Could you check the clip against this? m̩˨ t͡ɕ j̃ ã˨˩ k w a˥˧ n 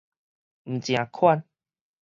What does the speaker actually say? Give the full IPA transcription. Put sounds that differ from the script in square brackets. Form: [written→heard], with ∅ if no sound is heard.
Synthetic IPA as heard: m̩˨ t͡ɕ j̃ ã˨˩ [k→kʰ] w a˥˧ n